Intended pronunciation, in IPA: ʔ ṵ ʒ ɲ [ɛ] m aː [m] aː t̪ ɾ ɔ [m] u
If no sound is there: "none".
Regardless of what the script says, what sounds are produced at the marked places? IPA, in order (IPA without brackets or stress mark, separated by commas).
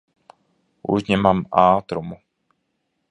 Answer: ɛ, m, m